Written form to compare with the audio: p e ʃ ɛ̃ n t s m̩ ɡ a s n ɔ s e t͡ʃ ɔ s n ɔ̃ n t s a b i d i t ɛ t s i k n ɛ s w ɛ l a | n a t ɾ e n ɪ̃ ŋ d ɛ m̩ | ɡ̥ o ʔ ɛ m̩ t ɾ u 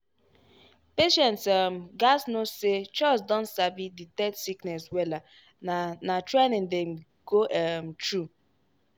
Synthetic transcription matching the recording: p e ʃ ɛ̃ n t s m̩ ɡ a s n o s e t͡ʃ ɔ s d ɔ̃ n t s a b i d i t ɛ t s i k n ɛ s w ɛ l a | n a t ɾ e n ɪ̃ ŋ d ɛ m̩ | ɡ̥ o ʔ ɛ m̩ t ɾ u